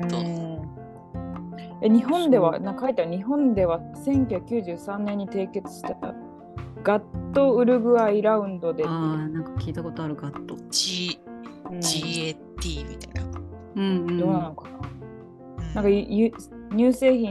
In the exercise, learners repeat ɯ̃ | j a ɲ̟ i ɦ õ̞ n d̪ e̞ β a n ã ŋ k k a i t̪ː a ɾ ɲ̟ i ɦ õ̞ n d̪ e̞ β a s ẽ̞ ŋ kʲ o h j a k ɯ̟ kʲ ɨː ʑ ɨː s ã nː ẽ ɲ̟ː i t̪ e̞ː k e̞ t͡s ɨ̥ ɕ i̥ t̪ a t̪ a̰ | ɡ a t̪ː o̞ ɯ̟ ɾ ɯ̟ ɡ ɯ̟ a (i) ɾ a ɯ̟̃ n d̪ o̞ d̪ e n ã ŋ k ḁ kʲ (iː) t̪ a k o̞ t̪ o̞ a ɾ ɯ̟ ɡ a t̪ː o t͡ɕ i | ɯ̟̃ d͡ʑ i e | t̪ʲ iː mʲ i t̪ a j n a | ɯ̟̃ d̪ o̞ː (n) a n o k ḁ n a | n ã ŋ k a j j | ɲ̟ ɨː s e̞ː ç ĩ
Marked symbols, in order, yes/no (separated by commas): yes, yes, yes